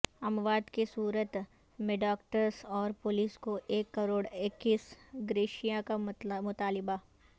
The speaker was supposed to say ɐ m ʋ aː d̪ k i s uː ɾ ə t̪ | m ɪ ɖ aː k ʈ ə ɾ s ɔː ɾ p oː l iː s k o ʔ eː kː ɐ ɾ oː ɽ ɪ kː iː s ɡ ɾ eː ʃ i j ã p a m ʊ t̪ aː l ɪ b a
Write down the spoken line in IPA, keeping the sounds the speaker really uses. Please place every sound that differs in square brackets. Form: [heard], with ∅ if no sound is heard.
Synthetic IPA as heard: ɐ m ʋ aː d̪ k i s uː ɾ ə t̪ | m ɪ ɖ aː k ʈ ə ɾ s ɔː ɾ p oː l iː s k o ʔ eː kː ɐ ɾ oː ɽ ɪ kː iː s ɡ ɾ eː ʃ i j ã [k] a m ʊ t̪ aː l ɪ b a

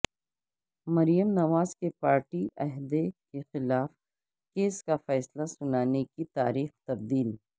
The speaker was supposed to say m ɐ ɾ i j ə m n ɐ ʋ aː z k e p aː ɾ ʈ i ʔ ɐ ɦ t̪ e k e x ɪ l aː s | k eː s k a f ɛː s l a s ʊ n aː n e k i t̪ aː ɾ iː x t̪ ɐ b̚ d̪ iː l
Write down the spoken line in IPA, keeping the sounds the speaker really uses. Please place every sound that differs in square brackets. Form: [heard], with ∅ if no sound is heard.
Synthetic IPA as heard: m ɐ ɾ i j ə m n ɐ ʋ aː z k e p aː ɾ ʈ i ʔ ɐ ɦ [d̪] e k e x ɪ l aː [f] | k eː s k a f ɛː s l a s ʊ n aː n e k i t̪ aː ɾ iː x t̪ ɐ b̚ d̪ iː l

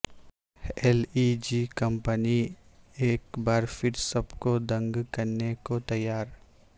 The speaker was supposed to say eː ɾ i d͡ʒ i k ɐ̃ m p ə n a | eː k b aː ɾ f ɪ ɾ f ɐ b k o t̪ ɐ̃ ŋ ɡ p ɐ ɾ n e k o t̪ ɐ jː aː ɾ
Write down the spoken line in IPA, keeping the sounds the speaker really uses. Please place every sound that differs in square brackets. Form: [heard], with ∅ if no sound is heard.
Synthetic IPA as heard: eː [l] i d͡ʒ i k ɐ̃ m p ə n [i] | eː k b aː ɾ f ɪ ɾ [s] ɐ b k o [d̪] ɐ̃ ŋ ɡ [k] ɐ ɾ n e k o t̪ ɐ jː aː ɾ

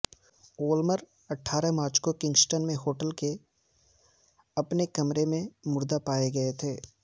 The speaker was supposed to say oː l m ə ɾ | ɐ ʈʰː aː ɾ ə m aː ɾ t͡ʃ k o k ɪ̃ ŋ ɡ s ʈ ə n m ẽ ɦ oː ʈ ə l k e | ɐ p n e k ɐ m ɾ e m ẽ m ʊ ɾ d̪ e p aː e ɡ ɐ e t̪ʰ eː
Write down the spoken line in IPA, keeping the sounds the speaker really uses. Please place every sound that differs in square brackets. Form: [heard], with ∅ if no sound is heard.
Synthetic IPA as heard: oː l m ə ɾ | ɐ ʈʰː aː ɾ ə m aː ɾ t͡ʃ k o k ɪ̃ ŋ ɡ s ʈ ə n m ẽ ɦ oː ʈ ə l k e | ɐ p n e k ɐ m ɾ e m ẽ m ʊ ɾ d̪ [a] p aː e ɡ ɐ e t̪ʰ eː

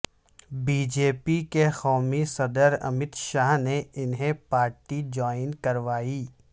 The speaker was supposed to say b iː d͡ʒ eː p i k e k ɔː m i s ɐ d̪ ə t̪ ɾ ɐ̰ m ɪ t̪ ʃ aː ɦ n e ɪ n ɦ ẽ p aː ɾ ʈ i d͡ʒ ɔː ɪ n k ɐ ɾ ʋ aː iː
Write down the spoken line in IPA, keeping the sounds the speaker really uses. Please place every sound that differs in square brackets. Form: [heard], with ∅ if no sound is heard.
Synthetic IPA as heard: b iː d͡ʒ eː p i k e [x] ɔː m i s ɐ d̪ ə [∅] ɾ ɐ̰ m ɪ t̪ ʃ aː ɦ n e ɪ n ɦ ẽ p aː ɾ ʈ i d͡ʒ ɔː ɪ n k ɐ ɾ ʋ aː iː

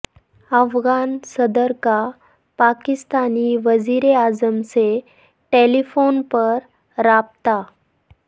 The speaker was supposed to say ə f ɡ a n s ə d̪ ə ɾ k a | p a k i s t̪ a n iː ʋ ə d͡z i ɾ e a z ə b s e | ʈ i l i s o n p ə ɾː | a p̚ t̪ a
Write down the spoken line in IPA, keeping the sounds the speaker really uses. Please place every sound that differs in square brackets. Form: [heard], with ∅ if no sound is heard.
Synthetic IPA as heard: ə f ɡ a n s ə d̪ ə ɾ k a | p a k i s t̪ a n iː ʋ ə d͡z i ɾ e a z ə [m] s e | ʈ [e] l i [f] o n p ə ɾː | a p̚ t̪ a

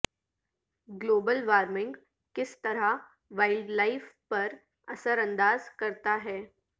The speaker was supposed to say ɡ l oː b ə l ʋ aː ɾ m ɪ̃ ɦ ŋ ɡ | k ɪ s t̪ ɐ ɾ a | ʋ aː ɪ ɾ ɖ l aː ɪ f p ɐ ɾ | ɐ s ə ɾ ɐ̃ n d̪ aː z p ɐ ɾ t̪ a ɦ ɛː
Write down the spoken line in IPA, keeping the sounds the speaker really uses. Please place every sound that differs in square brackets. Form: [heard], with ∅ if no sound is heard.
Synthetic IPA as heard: ɡ l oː b ə l ʋ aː ɾ m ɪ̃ [∅] ŋ ɡ | k ɪ s t̪ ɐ ɾ a | ʋ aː ɪ [l] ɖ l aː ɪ f p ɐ ɾ | ɐ s ə ɾ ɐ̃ n d̪ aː z [k] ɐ ɾ t̪ a ɦ ɛː

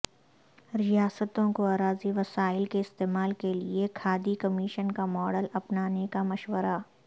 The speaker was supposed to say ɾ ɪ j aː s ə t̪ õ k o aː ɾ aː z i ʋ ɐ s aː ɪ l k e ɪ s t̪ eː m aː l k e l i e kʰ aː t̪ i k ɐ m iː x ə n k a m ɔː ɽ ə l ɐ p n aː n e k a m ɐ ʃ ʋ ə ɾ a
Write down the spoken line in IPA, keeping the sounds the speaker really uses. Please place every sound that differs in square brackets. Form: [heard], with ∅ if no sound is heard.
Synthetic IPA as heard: ɾ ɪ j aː s ə t̪ õ k o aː ɾ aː z i ʋ ɐ s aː ɪ l k e ɪ s t̪ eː m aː l k e l i e kʰ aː [d̪] i k ɐ m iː [ʃ] ə n k a m ɔː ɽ ə l ɐ p n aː n e k a m ɐ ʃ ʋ ə ɾ a

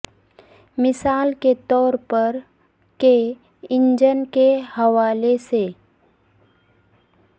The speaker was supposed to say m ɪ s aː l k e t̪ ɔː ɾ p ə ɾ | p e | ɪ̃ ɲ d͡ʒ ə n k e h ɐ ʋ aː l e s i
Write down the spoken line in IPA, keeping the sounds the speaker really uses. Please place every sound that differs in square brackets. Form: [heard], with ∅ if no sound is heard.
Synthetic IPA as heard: m ɪ s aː l k e t̪ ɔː ɾ p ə ɾ | [k] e | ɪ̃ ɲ d͡ʒ ə n k e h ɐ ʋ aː l e s [e]

